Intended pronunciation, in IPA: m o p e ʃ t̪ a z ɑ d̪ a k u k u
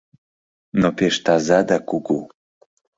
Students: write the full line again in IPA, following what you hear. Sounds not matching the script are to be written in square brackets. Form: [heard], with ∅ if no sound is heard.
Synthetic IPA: [n] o p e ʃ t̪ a z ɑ d̪ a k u [ɡ] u